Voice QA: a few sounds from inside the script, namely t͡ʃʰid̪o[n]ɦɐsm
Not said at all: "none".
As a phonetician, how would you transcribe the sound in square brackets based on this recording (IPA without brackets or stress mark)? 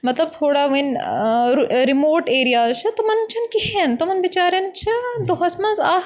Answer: none